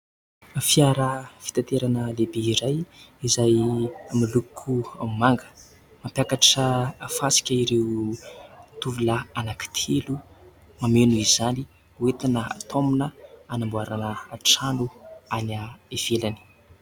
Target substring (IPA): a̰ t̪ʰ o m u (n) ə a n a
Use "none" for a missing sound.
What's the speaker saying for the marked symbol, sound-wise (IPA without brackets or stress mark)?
n